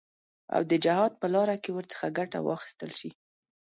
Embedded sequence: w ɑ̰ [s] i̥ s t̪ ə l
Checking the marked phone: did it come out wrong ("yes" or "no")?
yes